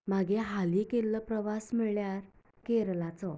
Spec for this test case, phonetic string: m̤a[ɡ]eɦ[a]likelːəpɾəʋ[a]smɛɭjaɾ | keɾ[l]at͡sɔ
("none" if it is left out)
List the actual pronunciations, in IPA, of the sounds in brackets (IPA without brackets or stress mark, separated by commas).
ɡ, a, a, l